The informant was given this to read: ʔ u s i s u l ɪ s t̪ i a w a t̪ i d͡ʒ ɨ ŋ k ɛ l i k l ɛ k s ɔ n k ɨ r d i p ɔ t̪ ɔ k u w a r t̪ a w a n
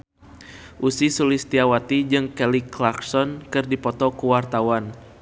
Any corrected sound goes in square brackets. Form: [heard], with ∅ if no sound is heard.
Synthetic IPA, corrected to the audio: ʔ u s i s u l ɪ s t̪ i a w a t̪ i d͡ʒ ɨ ŋ k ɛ l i k l [a] k s ɔ n k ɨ r d i p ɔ t̪ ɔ k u w a r t̪ a w a n